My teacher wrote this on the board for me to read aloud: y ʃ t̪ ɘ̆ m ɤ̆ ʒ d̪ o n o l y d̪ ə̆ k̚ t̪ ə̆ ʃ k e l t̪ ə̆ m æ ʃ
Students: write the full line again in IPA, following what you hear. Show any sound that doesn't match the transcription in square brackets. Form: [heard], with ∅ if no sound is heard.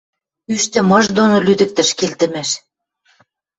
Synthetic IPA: y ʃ t̪ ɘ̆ m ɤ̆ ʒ d̪ o n o l y d̪ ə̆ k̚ t̪ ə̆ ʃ k e l t̪ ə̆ m æ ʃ